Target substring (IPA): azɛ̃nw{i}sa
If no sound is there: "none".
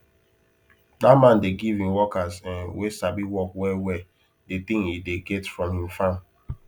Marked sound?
e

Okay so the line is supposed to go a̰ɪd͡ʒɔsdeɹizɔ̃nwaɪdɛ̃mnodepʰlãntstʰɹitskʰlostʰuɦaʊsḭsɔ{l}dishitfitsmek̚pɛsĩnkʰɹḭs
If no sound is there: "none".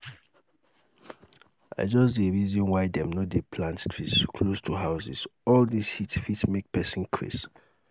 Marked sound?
l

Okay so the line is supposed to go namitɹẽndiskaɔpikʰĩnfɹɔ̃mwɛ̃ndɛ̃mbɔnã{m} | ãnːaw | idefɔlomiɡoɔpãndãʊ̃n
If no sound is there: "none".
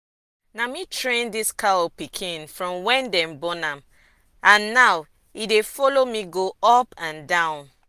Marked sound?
m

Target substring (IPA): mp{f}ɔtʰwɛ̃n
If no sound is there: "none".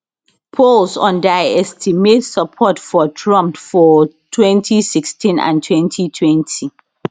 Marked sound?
f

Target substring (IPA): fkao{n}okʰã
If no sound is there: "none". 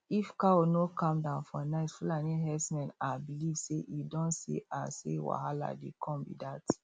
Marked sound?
n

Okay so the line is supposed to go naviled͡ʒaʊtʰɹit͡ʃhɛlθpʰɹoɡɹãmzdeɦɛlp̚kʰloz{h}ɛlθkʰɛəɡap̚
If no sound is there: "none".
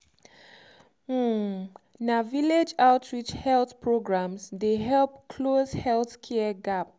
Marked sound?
h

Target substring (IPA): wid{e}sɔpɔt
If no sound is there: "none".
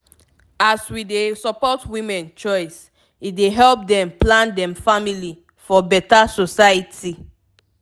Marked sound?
e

